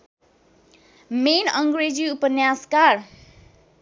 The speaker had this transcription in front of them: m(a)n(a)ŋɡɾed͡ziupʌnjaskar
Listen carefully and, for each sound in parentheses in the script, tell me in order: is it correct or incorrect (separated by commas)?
incorrect, incorrect